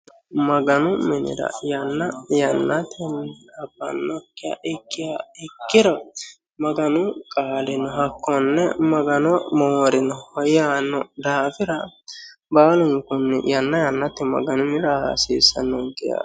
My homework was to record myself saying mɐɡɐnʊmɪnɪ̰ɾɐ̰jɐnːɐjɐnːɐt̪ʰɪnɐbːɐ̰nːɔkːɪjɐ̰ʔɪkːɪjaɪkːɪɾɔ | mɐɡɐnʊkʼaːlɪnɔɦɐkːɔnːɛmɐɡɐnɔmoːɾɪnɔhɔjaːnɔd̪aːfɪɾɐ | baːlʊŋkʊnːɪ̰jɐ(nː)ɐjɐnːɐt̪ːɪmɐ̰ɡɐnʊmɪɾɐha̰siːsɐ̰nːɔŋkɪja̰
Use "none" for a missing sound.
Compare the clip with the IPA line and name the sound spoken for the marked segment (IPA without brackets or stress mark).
nː